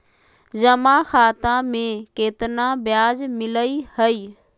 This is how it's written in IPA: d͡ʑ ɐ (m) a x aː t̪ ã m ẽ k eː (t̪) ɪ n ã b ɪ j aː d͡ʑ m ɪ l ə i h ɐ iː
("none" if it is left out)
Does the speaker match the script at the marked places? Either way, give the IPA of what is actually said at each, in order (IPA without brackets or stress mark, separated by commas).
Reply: m, t̪